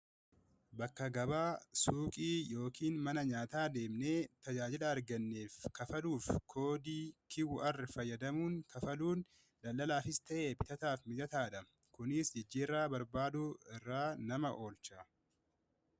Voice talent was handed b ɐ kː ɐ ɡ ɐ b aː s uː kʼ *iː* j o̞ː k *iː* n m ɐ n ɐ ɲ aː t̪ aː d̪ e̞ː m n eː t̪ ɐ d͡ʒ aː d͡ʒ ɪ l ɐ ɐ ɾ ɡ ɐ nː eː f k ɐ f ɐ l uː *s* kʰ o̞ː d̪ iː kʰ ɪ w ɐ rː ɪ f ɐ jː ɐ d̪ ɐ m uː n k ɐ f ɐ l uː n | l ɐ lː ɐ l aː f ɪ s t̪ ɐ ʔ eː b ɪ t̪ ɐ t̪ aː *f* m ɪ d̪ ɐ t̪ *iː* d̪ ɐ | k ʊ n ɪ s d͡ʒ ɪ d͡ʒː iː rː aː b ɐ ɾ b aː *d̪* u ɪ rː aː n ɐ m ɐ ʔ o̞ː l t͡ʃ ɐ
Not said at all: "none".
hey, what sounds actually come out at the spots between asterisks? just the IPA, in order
iː, iː, f, f, aː, d̪

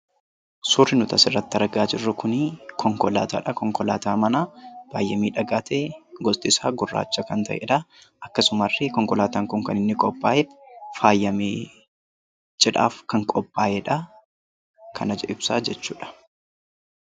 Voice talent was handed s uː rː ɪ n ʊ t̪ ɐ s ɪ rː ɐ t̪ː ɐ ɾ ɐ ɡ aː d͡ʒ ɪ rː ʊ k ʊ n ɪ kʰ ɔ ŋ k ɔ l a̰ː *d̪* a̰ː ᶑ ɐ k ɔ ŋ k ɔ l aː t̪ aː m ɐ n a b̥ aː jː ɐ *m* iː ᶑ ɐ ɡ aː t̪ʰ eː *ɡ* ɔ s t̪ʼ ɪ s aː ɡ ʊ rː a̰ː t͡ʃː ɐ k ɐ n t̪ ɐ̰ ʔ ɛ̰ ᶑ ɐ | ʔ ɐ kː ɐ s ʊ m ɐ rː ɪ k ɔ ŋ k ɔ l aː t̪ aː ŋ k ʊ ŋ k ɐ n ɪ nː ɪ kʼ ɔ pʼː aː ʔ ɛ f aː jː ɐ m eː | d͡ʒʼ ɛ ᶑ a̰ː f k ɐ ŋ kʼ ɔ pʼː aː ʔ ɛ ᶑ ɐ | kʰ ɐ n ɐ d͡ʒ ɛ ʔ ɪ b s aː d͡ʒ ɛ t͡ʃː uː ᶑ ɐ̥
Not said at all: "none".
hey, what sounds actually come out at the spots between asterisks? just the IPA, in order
t̪, m, ɡ

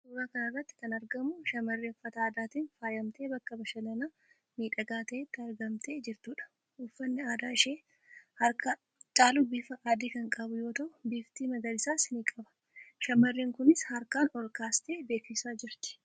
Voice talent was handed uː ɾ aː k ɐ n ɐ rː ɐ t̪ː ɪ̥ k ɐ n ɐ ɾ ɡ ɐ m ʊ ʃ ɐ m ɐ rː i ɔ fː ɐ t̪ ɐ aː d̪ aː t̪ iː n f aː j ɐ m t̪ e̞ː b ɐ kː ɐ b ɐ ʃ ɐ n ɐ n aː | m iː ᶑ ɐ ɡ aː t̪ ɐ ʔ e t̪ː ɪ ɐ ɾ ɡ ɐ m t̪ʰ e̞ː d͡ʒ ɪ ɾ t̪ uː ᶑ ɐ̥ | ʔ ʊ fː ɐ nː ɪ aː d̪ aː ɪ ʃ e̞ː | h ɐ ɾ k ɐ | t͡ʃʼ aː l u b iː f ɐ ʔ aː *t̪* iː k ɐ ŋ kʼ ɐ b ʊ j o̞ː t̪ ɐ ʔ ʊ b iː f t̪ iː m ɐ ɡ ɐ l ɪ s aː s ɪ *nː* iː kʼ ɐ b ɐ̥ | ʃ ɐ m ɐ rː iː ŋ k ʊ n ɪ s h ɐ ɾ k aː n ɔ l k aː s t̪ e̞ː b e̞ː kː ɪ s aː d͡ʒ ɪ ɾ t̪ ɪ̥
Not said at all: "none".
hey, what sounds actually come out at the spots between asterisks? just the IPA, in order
d̪, n

